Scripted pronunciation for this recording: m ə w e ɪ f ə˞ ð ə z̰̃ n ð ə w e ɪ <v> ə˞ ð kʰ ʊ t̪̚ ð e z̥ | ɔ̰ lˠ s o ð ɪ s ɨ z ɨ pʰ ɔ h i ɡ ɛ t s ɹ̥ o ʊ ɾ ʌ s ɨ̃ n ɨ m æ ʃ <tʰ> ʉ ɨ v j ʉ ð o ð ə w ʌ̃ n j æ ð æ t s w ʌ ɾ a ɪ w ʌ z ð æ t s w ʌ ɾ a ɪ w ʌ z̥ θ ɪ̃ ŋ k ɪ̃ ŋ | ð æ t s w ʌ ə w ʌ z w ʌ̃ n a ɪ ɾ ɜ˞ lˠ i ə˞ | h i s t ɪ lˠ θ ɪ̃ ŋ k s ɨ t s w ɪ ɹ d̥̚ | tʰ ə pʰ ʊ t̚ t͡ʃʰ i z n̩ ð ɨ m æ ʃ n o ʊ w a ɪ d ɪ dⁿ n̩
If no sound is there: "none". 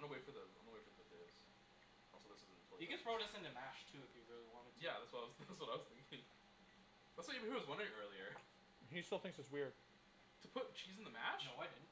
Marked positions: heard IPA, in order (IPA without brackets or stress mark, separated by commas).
f, tʰ